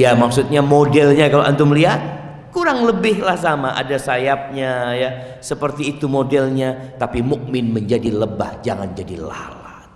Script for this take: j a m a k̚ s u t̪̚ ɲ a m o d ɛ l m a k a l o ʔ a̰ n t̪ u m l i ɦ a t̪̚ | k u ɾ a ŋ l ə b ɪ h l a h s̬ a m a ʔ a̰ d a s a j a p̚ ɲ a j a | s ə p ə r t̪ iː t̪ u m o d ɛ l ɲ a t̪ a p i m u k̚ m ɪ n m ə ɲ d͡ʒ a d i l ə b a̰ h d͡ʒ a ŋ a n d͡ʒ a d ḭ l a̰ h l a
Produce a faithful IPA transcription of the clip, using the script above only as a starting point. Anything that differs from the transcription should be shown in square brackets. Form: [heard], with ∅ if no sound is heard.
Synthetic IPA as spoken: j a m a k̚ s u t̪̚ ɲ a m o d ɛ l [ɲ] a k a l o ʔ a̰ n t̪ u m l i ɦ a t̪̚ | k u ɾ a ŋ l ə b ɪ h l a h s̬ a m a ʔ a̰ d a s a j a p̚ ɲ a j a | s ə p ə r t̪ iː t̪ u m o d ɛ l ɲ a t̪ a p i m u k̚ m ɪ n m ə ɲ d͡ʒ a d i l ə b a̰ h d͡ʒ a ŋ a n d͡ʒ a d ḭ l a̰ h l a